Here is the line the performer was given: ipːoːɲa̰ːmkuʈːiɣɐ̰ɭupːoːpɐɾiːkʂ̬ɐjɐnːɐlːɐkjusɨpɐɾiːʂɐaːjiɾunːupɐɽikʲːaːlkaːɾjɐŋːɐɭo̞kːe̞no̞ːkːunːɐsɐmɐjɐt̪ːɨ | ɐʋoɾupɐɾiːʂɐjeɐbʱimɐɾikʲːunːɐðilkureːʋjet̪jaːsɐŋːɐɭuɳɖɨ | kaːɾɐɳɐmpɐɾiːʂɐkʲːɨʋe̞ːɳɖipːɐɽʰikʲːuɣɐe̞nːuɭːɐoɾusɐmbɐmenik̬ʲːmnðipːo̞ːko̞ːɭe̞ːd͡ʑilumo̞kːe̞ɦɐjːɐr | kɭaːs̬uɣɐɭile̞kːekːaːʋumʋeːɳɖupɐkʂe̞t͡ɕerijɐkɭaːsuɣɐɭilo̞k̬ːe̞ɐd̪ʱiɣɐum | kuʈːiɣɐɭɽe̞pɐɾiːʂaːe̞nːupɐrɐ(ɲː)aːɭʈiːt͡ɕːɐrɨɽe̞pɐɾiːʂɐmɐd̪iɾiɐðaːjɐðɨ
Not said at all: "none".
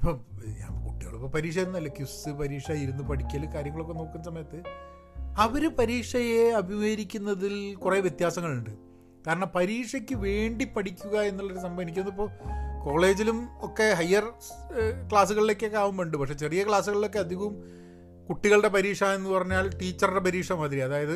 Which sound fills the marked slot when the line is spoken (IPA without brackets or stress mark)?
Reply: ɲː